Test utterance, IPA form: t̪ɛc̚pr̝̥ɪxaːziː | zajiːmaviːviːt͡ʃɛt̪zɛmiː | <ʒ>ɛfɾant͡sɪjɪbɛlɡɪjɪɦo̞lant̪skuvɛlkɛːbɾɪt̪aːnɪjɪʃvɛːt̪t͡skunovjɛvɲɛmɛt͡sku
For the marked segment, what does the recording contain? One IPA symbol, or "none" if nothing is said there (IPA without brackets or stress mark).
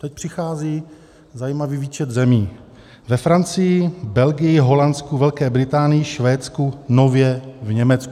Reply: v